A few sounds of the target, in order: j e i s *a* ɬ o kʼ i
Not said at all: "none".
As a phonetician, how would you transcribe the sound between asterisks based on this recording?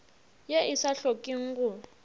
a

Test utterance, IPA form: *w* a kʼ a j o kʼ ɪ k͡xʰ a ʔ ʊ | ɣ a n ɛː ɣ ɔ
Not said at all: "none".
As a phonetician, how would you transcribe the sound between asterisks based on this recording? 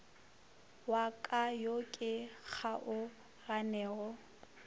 w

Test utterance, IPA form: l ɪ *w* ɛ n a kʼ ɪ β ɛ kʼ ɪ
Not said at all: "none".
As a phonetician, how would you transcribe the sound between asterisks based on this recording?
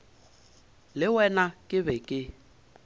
w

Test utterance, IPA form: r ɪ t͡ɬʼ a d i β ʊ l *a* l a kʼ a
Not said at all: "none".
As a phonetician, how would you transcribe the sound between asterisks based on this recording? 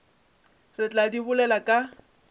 ɛ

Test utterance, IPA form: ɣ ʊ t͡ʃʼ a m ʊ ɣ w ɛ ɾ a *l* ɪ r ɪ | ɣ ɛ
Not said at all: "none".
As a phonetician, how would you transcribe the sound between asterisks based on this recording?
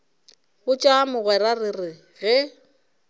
r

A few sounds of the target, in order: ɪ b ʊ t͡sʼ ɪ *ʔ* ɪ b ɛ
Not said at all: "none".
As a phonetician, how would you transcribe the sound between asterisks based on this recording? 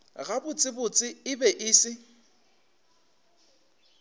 none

